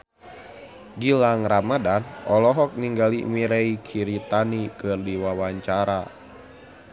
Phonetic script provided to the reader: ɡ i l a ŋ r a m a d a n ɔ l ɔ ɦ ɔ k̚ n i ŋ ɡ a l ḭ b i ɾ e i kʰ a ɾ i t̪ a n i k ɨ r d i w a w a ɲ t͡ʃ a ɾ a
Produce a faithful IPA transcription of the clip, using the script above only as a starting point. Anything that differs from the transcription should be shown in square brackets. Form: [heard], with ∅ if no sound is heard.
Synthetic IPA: ɡ i l a ŋ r a m a d a n ɔ l ɔ ɦ ɔ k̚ n i ŋ ɡ a l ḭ [m] i ɾ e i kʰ [i] ɾ i t̪ a n i k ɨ r d i w a w a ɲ t͡ʃ a ɾ a